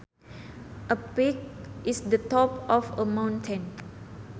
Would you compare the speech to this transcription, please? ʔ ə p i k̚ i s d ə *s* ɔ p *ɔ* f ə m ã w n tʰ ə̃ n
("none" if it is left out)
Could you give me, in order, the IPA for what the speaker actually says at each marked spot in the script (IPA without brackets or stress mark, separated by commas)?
t, ɔ